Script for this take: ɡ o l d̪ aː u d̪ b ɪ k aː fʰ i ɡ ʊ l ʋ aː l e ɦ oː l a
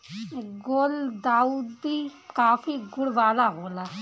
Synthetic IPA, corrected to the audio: ɡ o l d̪ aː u d̪ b i k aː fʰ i ɡ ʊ ɽ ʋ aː l a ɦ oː l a